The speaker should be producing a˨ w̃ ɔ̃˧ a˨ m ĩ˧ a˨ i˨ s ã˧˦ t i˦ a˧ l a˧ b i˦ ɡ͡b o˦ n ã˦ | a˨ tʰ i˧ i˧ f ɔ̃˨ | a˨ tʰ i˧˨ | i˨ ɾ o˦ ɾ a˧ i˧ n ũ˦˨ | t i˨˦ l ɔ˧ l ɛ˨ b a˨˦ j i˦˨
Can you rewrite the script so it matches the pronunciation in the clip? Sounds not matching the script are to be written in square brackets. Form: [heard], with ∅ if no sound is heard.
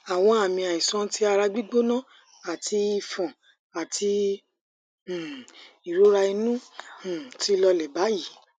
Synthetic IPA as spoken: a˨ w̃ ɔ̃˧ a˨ m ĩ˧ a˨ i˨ s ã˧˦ t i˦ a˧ [ɾ] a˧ [ɡ͡b] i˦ ɡ͡b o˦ n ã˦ | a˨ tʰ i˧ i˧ f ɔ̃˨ | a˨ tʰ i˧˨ | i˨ ɾ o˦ ɾ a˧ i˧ n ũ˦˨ | t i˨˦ l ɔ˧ l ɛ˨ b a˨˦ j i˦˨